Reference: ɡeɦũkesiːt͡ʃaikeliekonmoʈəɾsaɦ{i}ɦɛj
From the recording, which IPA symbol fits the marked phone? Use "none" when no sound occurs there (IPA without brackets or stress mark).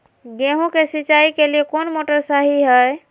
i